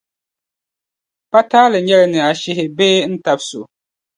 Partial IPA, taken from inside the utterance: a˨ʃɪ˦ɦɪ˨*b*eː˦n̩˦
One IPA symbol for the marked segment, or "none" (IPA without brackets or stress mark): b